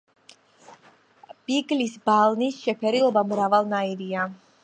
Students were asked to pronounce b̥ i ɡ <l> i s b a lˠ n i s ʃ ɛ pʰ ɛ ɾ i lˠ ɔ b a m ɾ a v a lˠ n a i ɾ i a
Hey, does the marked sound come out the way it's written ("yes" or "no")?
yes